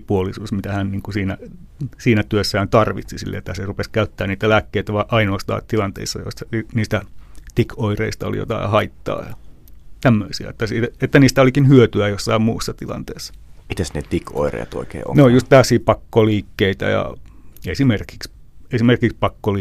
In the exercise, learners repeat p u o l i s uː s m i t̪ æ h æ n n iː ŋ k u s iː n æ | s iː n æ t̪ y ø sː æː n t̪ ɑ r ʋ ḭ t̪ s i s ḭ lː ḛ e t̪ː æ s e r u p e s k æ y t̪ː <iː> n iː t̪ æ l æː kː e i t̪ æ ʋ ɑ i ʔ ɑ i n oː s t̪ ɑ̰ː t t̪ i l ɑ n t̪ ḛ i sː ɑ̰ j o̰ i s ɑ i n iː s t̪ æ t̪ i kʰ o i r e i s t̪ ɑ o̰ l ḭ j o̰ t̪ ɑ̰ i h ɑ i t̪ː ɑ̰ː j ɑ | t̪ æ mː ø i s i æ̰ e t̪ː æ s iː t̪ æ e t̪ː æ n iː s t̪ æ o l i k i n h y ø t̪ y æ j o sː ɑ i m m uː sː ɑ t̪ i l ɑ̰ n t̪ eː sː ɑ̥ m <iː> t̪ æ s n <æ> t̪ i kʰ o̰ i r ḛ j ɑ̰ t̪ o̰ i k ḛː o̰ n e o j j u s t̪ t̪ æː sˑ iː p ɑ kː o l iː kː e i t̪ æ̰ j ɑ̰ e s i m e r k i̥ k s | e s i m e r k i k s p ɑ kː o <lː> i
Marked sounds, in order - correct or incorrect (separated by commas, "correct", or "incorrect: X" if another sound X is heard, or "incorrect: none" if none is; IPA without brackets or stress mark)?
incorrect: æː, incorrect: i, incorrect: e, incorrect: l